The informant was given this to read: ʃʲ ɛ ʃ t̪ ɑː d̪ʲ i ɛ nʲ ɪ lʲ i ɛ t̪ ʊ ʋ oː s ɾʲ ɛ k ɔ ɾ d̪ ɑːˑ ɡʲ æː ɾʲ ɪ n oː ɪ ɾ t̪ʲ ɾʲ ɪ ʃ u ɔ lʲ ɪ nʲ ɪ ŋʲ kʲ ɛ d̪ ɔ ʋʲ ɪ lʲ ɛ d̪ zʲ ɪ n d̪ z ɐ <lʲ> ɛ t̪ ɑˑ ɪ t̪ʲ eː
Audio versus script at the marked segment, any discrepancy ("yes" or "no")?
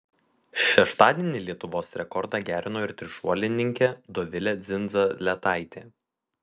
no